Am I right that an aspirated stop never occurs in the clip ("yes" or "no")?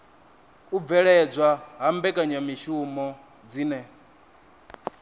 yes